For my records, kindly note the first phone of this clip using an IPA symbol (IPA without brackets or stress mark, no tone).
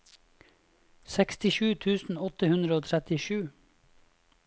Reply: s